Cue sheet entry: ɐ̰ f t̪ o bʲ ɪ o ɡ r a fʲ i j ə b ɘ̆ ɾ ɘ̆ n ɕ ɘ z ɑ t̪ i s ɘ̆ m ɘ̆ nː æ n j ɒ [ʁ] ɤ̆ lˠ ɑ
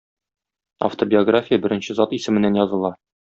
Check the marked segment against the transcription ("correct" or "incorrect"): incorrect